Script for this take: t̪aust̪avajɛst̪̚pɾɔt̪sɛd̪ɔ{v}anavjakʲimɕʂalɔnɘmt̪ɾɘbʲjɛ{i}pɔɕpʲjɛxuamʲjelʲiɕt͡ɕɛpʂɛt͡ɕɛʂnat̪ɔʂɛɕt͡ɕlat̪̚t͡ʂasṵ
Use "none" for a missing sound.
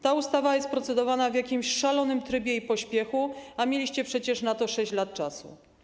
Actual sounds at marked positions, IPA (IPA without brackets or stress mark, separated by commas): v, i